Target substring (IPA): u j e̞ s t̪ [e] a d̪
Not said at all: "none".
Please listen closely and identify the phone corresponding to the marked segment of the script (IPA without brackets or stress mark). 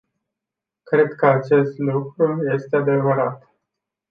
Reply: e